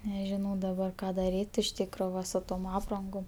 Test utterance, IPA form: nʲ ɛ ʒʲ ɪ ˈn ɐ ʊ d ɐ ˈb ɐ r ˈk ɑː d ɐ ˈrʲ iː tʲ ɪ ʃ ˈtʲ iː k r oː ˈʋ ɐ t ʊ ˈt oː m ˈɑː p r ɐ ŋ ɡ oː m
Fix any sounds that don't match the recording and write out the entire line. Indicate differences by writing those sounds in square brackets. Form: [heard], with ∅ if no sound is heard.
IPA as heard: nʲ ɛ ʒʲ ɪ ˈn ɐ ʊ d ɐ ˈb ɐ r ˈk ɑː d ɐ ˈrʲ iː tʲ ɪ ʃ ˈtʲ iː k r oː ˈʋ ɐ [s] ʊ ˈt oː m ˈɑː p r ɐ ŋ ɡ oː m